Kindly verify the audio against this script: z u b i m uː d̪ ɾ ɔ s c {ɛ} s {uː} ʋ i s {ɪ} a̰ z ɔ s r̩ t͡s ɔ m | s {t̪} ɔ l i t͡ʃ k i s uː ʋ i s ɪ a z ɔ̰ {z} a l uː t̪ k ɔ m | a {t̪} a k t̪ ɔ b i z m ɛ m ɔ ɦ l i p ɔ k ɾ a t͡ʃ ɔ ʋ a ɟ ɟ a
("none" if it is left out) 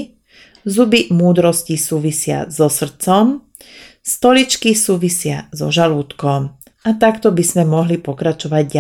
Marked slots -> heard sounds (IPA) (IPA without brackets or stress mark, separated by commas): i, uː, ɪ, t̪, ʒ, t̪